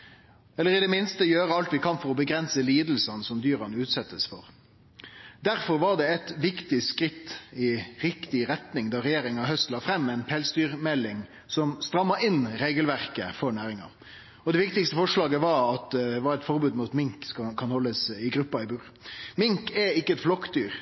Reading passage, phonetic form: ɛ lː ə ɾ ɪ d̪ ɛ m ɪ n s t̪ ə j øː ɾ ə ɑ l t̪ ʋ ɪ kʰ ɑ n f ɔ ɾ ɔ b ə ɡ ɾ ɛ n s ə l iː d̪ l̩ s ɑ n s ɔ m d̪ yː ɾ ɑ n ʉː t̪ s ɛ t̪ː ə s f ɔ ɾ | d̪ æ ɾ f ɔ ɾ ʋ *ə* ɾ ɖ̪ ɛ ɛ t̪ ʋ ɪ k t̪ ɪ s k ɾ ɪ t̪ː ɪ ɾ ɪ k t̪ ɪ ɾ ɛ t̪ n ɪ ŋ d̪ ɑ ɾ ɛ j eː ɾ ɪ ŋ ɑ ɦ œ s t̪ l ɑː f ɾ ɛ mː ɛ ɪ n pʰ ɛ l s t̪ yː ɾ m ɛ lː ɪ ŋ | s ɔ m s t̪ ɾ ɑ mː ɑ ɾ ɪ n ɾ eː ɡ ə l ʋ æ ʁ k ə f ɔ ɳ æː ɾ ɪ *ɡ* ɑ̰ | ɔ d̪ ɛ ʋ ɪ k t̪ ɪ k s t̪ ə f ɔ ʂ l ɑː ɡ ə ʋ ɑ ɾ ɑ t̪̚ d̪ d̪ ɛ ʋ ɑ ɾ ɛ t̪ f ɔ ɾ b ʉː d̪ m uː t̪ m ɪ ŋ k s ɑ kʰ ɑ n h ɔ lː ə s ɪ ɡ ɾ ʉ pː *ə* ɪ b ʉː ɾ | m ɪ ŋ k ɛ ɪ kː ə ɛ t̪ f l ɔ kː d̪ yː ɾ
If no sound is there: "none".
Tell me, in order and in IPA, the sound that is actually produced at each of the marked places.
ɑ, ŋ, ɑ

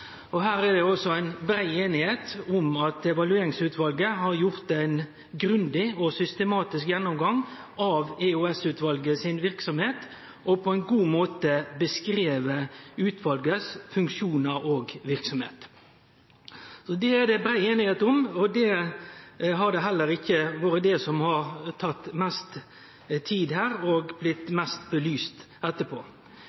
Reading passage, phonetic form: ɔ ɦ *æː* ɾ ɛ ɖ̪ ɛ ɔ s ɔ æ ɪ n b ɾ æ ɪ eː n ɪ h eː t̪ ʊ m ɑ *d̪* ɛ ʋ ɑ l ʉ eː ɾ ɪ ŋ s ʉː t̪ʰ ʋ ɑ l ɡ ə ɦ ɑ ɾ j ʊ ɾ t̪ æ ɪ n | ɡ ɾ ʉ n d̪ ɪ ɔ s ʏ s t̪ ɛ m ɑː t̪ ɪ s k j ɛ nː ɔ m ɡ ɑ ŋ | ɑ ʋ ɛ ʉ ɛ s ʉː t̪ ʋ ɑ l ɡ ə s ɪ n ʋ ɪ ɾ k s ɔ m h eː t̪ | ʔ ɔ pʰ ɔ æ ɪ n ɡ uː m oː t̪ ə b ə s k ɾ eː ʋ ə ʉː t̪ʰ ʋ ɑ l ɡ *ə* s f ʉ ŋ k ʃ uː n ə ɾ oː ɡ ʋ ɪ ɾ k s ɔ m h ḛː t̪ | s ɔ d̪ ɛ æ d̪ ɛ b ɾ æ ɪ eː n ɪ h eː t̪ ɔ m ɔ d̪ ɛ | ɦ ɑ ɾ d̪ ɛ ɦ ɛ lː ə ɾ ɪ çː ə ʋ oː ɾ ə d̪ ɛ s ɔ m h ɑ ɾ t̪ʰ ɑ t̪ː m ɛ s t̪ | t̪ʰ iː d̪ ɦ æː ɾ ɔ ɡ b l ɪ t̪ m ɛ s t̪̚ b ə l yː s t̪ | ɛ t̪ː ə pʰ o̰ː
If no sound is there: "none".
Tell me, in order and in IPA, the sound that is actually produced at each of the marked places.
æː, t̪, ə

